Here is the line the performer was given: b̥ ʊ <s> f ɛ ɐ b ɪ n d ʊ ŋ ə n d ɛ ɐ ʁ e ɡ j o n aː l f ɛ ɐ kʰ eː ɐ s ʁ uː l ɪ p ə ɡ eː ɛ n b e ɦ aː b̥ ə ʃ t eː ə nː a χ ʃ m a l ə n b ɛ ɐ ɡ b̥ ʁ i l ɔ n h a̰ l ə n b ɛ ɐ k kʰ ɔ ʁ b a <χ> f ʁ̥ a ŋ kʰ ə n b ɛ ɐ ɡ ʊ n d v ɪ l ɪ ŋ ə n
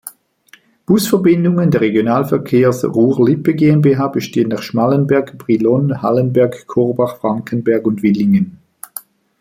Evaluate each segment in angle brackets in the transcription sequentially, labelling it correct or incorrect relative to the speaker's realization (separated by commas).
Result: correct, correct